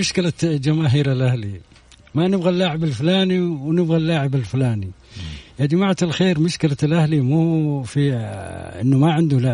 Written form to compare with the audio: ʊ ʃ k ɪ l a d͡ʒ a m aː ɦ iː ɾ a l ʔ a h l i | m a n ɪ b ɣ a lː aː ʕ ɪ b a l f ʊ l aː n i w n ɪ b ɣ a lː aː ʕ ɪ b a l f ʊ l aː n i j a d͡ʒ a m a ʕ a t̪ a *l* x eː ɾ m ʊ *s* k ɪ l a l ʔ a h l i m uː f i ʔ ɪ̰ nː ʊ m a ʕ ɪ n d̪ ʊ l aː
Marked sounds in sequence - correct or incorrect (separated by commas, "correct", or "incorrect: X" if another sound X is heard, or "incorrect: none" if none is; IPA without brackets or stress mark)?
correct, incorrect: ʃ